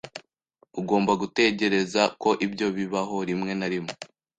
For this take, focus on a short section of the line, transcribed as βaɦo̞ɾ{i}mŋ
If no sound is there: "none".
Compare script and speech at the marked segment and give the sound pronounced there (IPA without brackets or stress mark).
i